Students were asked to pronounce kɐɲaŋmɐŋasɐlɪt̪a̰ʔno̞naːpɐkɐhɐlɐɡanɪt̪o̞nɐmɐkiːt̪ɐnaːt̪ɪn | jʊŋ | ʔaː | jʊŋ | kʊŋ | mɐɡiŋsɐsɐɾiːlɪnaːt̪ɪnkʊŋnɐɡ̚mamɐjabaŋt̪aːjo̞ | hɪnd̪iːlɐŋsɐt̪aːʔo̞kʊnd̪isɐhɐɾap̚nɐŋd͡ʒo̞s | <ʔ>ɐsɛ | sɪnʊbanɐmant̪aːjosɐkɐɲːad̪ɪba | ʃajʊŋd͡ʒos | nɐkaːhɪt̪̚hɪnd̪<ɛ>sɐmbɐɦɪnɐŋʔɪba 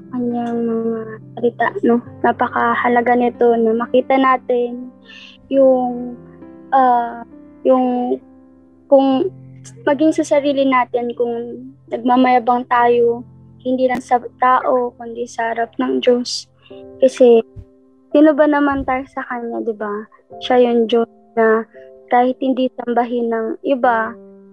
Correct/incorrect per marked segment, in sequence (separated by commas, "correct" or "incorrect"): incorrect, incorrect